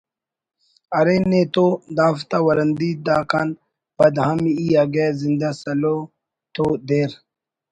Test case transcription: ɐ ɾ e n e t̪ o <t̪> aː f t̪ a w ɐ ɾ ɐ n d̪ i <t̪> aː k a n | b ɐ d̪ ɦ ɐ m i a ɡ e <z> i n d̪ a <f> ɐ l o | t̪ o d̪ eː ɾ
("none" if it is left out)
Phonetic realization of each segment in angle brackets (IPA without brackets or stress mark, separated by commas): d̪, d̪, z, s